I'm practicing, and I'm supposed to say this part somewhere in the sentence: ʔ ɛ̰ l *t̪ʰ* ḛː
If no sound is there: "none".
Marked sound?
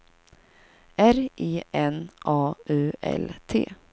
t̪ʰ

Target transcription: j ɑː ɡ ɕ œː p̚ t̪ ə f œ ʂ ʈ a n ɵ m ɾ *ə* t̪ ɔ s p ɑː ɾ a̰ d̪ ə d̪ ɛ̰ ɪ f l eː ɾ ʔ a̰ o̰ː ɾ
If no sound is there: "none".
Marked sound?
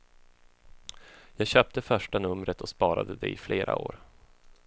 ə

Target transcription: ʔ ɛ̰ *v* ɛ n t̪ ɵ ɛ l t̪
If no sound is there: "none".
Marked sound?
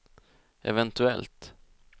v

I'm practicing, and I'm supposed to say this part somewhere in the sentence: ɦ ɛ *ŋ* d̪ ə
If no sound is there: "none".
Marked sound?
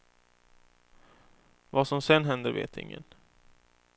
n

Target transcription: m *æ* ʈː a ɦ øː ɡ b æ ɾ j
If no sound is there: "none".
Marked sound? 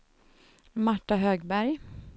a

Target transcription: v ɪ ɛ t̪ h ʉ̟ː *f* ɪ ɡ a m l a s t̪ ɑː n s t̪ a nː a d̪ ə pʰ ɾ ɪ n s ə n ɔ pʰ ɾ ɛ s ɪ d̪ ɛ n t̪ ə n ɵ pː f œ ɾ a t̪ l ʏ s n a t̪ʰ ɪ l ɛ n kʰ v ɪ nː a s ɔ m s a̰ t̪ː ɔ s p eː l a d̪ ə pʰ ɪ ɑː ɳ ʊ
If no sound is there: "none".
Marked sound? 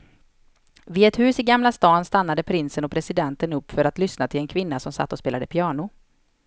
s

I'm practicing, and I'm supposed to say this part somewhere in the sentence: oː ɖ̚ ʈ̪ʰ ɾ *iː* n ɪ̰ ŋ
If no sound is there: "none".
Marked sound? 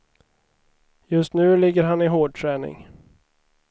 ɛː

